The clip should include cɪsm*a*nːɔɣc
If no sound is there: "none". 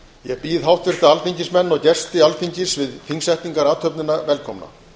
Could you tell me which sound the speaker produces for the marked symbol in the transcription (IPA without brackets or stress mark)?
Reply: ɛ